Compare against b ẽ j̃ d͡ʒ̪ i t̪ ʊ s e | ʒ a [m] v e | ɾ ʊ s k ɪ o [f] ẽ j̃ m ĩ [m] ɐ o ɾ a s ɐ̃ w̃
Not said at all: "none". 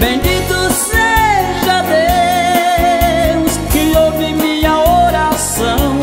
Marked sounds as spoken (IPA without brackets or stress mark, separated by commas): none, v, ɲ